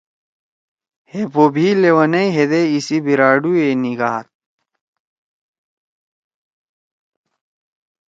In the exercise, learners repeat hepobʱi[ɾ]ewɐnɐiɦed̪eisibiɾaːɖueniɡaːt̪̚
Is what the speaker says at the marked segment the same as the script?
no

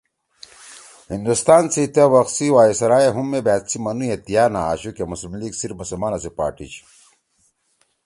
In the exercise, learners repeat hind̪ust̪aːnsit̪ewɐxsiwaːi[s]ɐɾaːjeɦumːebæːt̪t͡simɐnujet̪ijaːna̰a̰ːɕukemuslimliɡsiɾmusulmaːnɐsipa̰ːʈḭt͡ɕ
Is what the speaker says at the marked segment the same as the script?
yes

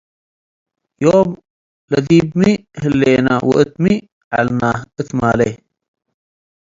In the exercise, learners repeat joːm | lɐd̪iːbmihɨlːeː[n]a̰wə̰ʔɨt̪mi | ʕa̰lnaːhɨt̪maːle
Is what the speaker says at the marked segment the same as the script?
yes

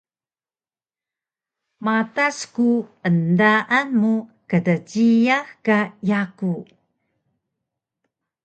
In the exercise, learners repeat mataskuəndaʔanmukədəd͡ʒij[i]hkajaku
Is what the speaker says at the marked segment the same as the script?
no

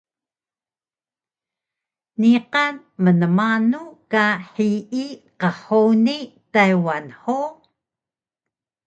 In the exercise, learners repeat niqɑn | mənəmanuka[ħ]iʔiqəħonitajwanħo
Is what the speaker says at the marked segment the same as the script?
yes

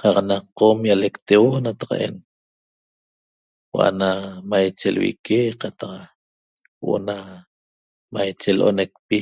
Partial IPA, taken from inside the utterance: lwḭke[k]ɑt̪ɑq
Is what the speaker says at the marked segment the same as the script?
no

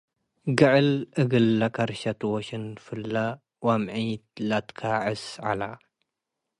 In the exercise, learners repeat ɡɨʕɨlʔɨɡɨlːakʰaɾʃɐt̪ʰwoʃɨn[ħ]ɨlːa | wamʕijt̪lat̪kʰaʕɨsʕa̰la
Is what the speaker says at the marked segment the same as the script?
no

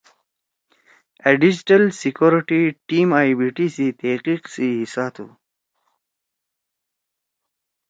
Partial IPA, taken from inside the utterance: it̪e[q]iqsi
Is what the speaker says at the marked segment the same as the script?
yes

